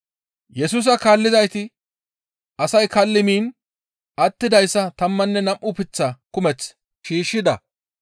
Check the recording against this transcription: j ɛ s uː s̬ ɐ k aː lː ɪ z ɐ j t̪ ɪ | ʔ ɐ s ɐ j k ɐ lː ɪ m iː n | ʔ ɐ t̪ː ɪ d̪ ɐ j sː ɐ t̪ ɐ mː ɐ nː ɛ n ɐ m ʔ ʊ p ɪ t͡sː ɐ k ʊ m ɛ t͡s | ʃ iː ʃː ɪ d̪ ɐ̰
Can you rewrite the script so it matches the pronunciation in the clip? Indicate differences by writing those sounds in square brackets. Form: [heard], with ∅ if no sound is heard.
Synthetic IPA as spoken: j ɛ s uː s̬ ɐ k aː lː ɪ z ɐ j t̪ ɪ | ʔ ɐ s ɐ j k ɐ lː ɪ m iː n | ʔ ɐ t̪ː ɪ d̪ ɐ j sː ɐ t̪ ɐ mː ɐ nː ɛ n ɐ m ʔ ʊ p ɪ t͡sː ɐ k ʊ m ɛ t͡s | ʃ iː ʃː ɪ d̪ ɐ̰

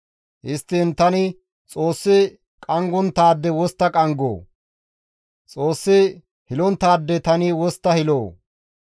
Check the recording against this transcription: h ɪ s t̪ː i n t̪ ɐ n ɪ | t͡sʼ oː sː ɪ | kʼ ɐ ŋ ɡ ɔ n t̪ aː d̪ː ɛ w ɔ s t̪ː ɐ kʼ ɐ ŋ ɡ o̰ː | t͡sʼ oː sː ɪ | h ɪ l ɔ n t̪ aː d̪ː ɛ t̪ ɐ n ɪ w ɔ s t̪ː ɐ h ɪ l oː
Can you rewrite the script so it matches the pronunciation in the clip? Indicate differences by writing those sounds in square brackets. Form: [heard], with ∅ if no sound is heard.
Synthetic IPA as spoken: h ɪ s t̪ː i n t̪ ɐ n ɪ | t͡sʼ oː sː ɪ | kʼ ɐ ŋ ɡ ɔ n t̪ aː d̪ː ɛ w ɔ s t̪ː ɐ kʼ ɐ ŋ ɡ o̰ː | t͡sʼ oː sː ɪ | h ɪ l ɔ n t̪ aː d̪ː ɛ t̪ ɐ n ɪ w ɔ s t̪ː ɐ h ɪ l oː

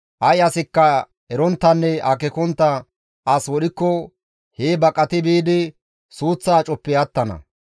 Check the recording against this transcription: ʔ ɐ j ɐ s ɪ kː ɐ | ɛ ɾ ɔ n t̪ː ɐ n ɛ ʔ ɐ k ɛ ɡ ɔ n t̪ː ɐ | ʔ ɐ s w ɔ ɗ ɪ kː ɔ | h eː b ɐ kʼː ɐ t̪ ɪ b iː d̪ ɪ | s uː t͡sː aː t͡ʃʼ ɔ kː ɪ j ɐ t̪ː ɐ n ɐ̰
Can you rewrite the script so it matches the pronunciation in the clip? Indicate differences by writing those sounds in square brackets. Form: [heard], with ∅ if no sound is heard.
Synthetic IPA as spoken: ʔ ɐ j ɐ s ɪ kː ɐ | ɛ ɾ ɔ n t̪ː ɐ [nː] ɛ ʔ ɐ k ɛ [k] ɔ n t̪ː ɐ | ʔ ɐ s w ɔ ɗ ɪ kː ɔ | h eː b ɐ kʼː ɐ t̪ ɪ b iː d̪ ɪ | s uː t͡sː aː t͡ʃʼ ɔ [pː] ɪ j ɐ t̪ː ɐ n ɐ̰

